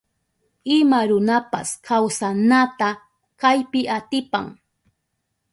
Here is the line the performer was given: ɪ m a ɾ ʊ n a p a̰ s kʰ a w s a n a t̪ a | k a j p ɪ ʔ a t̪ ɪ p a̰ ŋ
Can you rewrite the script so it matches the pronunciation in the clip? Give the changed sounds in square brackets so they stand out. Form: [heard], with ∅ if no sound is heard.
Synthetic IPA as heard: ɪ m a ɾ ʊ n a p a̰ s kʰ a w s a n a t̪ a | k a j p ɪ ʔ a t̪ ɪ p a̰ ŋ